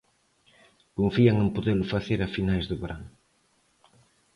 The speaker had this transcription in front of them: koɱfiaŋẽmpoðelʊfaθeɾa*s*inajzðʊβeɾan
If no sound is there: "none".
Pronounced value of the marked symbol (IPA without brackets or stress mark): f